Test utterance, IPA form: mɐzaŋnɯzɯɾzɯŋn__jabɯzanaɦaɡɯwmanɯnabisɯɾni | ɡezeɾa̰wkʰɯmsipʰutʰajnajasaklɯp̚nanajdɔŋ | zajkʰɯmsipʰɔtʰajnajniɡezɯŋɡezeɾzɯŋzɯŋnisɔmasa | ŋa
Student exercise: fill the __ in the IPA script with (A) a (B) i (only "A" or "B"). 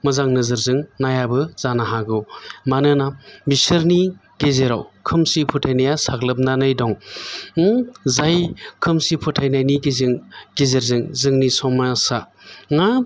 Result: A